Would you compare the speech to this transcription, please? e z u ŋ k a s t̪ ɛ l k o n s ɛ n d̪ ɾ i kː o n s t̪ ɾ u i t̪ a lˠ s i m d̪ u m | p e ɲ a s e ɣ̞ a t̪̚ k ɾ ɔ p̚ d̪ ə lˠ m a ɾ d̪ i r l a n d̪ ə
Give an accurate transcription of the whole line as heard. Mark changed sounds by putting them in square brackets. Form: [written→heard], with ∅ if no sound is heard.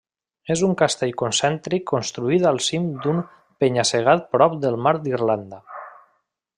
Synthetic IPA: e z u ŋ k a s t̪ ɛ [l→ʎ] k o n s ɛ n [d̪→t̪] ɾ i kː o n s t̪ ɾ u i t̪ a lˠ s i m d̪ u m | p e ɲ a s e ɣ̞ a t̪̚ [k→p] ɾ ɔ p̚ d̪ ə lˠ m a ɾ d̪ i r l a n d̪ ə